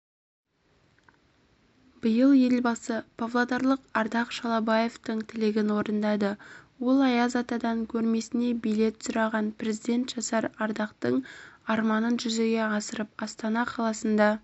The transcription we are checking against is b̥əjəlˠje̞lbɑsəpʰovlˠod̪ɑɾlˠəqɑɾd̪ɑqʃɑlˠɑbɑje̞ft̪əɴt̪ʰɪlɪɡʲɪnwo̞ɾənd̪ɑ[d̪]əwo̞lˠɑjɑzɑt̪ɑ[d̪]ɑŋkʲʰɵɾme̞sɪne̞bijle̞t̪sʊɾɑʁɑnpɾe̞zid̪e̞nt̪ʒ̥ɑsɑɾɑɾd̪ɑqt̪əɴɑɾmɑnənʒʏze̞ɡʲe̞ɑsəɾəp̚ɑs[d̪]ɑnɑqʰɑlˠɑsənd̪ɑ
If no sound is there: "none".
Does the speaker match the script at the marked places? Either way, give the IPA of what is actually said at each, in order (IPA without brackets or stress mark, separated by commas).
d̪, d̪, t̪